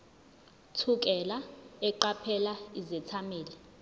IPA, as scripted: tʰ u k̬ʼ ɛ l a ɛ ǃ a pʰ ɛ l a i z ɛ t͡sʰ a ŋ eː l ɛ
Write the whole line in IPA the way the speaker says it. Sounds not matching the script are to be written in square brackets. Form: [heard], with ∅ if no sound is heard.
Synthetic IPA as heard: tʰ u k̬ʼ ɛ l a ɛ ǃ a pʰ ɛ l a i z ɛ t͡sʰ a [m] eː l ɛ